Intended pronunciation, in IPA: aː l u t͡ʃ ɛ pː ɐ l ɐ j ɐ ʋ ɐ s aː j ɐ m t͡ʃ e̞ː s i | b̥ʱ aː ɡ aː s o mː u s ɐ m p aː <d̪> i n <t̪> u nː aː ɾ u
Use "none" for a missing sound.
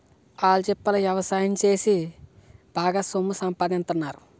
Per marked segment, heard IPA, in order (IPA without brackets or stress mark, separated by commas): d̪, t̪